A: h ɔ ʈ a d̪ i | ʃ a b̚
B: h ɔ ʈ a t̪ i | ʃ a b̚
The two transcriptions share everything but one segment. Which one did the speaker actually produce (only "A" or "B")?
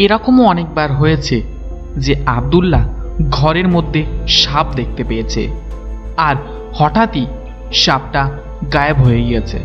B